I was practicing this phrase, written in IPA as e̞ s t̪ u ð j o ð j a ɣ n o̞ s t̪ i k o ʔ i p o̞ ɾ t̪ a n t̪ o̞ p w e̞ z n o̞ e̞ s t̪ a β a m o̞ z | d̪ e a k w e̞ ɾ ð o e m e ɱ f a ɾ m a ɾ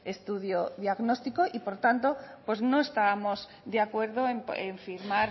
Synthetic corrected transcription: e̞ s t̪ u ð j o ð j a ɣ n o̞ s t̪ i k o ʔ i p o̞ ɾ t̪ a n t̪ o̞ p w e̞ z n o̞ e̞ s t̪ a β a m o̞ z | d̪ e a k w e̞ ɾ ð o e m e ɱ f i ɾ m a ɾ